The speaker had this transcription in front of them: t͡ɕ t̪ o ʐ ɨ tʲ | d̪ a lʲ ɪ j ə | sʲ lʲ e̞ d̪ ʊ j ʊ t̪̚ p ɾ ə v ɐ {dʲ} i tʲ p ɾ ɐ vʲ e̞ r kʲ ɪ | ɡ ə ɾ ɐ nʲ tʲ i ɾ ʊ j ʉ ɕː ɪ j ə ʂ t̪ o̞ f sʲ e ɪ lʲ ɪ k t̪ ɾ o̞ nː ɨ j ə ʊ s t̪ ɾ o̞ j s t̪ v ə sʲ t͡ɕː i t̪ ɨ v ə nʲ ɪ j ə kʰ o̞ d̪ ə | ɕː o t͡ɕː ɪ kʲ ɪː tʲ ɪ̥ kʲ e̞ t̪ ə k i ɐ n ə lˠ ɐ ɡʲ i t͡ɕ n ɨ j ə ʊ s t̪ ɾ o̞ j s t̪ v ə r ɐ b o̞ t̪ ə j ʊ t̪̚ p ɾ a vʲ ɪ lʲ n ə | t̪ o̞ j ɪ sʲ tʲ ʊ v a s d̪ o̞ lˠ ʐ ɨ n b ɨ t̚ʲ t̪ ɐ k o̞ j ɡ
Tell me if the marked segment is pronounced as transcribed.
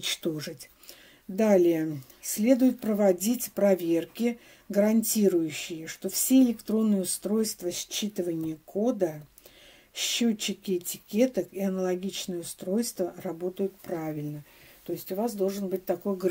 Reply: yes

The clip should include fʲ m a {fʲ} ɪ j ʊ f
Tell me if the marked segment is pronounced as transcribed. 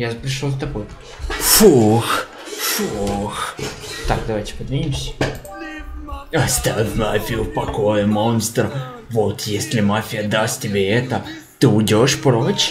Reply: yes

